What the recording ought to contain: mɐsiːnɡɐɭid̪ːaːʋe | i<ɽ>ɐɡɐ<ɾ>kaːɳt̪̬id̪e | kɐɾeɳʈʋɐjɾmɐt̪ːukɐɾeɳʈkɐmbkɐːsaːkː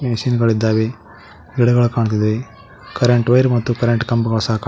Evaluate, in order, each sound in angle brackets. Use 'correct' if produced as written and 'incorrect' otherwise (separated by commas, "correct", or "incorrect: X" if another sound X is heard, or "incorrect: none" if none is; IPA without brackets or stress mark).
correct, incorrect: ɭ